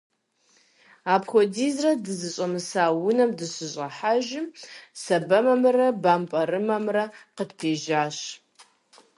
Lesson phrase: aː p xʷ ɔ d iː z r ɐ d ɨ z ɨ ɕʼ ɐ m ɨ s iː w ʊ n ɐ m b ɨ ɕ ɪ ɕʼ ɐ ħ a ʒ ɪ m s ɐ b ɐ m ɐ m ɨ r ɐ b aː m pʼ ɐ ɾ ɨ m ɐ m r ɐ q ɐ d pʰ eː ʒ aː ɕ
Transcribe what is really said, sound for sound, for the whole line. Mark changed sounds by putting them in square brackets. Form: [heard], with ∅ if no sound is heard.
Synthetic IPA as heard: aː p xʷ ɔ d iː z r ɐ d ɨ z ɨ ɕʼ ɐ m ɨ s [aː] w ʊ n ɐ m [d] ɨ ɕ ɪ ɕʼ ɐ ħ a ʒ ɪ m s ɐ b ɐ m ɐ m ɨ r ɐ b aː m pʼ ɐ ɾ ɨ m ɐ m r ɐ q [ə] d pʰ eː ʒ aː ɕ